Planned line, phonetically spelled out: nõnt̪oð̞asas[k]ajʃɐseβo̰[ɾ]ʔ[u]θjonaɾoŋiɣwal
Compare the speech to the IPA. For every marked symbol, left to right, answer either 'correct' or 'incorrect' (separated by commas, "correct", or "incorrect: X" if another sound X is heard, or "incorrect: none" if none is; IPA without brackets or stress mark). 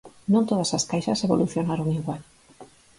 correct, incorrect: l, correct